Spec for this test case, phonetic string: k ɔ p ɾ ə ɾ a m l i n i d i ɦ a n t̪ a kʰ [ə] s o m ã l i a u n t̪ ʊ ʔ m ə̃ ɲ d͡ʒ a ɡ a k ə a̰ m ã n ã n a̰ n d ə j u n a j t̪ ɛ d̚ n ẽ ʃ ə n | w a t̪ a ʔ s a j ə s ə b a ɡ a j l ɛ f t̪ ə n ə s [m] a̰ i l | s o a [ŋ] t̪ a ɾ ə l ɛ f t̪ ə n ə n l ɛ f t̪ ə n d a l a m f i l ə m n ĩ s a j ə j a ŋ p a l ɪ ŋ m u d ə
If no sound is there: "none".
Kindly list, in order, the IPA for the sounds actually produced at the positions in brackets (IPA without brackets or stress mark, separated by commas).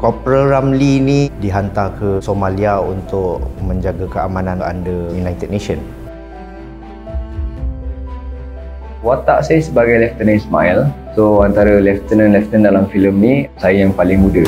ə, m, n